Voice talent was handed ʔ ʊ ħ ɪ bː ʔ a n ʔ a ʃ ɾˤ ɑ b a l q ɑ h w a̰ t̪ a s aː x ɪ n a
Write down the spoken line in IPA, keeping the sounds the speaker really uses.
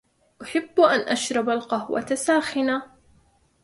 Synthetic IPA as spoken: ʔ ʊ ħ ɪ bː ʔ a n ʔ a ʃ ɾˤ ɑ b a l q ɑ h w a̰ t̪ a s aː x ɪ n a